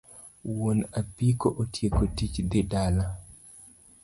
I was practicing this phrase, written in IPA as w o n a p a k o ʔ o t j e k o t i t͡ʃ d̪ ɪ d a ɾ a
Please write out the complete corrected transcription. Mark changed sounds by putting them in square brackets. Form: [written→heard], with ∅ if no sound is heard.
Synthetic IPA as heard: w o n a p [a→i] k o ʔ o t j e k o t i t͡ʃ d̪ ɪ d a [ɾ→l] a